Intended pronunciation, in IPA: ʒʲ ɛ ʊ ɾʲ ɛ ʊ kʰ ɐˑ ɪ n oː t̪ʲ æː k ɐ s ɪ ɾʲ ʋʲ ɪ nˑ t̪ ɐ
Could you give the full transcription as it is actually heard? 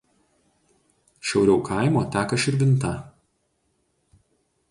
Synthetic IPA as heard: ʃʲ ɛ ʊ ɾʲ ɛ ʊ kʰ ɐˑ ɪ m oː t̪ʲ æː k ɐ ʃ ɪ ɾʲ ʋʲ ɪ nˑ t̪ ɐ